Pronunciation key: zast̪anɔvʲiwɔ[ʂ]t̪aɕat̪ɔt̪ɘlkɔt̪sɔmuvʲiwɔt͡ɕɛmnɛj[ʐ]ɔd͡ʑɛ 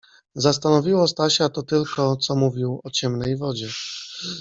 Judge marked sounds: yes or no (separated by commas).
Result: no, no